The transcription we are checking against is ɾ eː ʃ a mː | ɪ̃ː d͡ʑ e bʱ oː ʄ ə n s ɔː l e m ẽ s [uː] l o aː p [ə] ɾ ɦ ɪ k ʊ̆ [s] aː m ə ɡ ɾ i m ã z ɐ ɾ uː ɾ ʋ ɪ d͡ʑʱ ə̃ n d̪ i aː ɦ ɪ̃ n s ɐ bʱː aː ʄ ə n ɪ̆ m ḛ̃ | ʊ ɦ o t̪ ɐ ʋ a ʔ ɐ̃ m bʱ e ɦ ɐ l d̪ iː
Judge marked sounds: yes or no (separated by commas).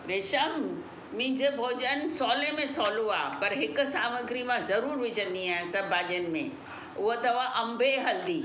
no, no, yes